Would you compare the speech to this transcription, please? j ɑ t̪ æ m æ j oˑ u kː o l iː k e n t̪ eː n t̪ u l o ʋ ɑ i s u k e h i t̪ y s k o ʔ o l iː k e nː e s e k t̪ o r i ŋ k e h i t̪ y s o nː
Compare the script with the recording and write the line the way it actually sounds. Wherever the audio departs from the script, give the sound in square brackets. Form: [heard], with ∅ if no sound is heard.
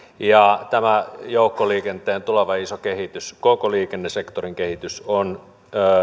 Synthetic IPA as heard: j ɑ t̪ æ m æ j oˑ u kː o l iː k e n t̪ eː n t̪ u l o ʋ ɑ i s [o] k e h i t̪ y s k o [k] o l iː k e nː e s e k t̪ o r i ŋ k e h i t̪ y s o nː